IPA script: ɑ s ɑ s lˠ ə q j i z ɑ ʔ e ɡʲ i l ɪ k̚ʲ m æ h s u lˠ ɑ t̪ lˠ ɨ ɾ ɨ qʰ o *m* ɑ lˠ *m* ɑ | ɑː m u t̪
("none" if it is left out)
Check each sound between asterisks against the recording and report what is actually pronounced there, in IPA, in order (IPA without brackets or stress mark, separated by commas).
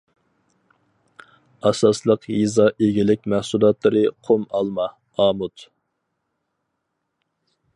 m, m